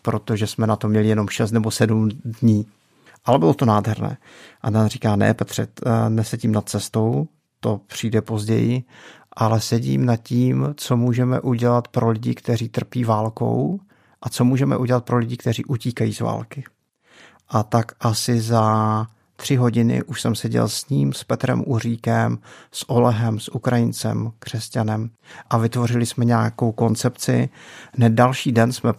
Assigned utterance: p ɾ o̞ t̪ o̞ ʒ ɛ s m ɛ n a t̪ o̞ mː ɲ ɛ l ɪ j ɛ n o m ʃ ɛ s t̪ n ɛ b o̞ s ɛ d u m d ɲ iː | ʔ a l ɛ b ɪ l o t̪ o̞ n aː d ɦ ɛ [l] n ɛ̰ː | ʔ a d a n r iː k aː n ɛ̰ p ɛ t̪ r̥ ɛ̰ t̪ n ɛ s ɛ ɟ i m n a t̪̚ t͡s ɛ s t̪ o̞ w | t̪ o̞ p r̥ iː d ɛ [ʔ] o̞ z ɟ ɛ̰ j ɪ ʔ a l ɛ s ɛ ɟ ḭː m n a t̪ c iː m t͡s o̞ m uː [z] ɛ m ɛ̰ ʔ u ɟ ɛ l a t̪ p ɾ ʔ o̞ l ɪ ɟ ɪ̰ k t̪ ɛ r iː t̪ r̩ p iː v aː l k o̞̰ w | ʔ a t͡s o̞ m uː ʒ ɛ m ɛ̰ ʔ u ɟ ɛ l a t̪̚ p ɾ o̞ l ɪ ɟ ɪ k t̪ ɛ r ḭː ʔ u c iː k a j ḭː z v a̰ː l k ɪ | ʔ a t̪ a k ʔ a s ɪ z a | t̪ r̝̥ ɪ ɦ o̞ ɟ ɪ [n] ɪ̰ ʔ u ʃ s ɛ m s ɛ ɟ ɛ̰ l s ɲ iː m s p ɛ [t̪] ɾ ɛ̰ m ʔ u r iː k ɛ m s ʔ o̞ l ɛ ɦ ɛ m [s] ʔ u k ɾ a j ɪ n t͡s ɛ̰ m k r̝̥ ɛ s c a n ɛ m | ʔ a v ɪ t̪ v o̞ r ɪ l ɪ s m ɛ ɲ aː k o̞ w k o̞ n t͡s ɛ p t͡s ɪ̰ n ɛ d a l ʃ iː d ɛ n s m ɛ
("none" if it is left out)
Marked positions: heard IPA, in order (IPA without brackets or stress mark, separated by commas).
ɾ, p, ʒ, n, t̪, s